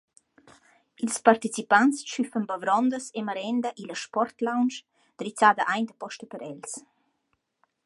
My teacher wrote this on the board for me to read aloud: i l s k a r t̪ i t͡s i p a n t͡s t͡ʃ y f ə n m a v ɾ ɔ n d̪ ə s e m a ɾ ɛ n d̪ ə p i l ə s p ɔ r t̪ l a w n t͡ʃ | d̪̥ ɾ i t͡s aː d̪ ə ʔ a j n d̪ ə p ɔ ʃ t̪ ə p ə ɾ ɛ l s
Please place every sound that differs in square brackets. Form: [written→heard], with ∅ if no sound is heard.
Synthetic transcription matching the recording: i l s [k→p] a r t̪ i t͡s i p a n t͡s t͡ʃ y f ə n [m→b] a v ɾ ɔ n d̪ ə s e m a ɾ ɛ n d̪ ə [p→ʔ] i l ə [s→ʃ] p ɔ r t̪ l a w n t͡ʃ | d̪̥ ɾ i t͡s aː d̪ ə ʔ a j n d̪ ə p ɔ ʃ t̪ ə p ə ɾ ɛ l s